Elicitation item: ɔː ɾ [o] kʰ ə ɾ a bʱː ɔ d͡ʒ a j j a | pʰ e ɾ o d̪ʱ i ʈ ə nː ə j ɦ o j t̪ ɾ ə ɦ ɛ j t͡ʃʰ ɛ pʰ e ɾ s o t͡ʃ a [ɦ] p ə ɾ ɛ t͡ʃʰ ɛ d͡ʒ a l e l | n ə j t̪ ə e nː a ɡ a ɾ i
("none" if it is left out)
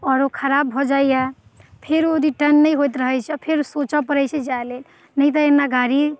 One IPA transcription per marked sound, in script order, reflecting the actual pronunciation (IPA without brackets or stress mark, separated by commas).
o, none